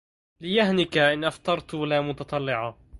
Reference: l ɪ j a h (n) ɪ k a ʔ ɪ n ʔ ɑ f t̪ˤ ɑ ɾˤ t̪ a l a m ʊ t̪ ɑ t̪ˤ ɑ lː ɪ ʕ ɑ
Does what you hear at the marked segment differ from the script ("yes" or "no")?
no